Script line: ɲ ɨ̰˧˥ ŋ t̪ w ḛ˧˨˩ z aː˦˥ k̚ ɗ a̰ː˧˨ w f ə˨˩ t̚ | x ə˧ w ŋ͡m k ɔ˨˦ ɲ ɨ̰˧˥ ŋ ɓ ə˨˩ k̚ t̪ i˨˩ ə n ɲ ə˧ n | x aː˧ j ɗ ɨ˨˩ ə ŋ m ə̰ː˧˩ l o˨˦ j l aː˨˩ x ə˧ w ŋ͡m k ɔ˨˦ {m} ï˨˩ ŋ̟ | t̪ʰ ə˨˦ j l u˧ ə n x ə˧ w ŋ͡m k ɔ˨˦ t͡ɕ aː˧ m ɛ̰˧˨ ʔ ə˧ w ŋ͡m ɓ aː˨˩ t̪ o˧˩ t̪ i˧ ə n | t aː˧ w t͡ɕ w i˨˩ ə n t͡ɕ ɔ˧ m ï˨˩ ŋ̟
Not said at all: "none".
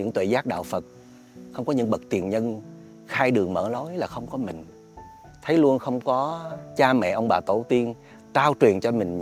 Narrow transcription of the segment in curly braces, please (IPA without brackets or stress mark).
m